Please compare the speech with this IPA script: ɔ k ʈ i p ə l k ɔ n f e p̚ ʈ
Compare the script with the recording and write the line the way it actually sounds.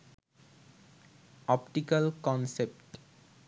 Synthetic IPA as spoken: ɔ p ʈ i k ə l k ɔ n s e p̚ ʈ